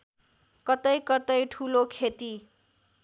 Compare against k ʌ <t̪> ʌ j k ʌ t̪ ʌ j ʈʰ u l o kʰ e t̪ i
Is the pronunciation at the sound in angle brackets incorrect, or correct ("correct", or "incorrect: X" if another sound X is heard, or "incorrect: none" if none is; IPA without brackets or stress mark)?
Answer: correct